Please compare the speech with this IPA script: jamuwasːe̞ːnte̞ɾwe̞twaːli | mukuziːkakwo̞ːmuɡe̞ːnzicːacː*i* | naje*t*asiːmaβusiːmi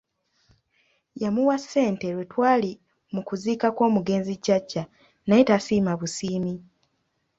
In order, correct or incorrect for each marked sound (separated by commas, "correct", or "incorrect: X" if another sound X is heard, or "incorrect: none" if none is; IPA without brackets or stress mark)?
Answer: incorrect: a, correct